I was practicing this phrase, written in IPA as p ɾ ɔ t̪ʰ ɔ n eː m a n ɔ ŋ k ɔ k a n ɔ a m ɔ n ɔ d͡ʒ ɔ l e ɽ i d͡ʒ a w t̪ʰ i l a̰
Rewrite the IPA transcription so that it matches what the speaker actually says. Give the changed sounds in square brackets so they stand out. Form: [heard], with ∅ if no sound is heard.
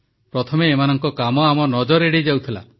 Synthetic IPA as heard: p ɾ ɔ t̪ʰ ɔ [m] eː m a n ɔ ŋ k ɔ k a [m] ɔ a m ɔ n ɔ d͡ʒ ɔ [ɾ] e ɽ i d͡ʒ a w t̪ʰ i l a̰